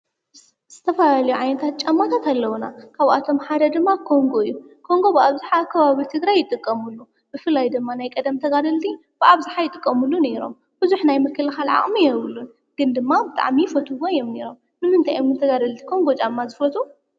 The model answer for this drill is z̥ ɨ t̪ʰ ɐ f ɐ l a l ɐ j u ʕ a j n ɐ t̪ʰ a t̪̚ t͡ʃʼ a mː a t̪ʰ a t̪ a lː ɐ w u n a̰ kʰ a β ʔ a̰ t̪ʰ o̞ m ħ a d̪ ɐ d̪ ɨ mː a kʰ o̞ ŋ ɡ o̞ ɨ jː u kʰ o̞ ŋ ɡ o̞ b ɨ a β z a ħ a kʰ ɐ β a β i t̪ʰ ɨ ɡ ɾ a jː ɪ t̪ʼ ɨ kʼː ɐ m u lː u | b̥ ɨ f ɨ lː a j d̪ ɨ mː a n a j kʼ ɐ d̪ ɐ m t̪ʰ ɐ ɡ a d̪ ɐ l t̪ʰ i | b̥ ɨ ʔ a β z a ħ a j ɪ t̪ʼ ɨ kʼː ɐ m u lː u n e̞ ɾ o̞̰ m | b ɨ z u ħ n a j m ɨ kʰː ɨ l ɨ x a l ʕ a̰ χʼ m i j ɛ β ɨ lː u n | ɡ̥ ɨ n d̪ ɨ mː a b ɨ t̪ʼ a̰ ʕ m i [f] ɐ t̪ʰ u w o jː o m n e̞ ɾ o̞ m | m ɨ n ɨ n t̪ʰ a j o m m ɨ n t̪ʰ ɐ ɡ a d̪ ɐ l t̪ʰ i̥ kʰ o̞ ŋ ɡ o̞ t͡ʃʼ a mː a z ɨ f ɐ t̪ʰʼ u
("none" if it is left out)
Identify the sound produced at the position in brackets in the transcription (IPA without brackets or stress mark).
f